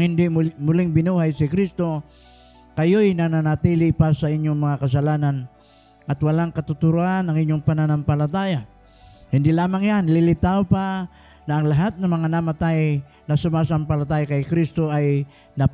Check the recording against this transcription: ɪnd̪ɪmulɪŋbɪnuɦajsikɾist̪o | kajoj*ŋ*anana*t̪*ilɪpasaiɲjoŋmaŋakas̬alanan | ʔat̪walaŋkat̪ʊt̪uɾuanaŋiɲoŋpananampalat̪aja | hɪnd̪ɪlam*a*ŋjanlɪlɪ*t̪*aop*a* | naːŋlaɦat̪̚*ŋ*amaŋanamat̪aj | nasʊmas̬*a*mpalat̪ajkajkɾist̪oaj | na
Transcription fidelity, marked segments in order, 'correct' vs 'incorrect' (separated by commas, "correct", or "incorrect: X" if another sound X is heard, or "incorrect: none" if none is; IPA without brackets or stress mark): incorrect: n, correct, correct, correct, correct, incorrect: n, correct